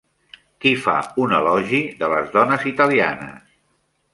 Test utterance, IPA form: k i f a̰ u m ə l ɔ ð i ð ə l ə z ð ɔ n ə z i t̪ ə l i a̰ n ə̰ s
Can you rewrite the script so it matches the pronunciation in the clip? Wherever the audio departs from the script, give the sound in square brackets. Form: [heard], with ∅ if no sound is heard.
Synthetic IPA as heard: k i f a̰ u [n] ə l ɔ [ʒ] i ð ə l ə z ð ɔ n ə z i t̪ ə l i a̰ n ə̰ s